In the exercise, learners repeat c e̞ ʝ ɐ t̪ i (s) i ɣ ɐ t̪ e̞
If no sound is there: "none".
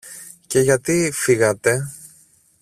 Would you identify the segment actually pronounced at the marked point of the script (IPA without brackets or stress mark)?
f